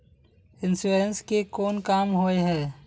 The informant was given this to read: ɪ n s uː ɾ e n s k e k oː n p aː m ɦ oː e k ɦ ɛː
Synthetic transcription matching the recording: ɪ n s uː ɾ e n s k e k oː n k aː m ɦ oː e ɦ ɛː